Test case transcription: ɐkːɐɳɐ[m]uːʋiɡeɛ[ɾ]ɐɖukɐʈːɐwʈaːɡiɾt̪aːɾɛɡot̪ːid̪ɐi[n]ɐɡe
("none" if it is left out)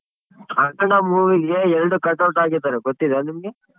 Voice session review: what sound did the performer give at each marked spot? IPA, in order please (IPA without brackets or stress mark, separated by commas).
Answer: m, ɾ, m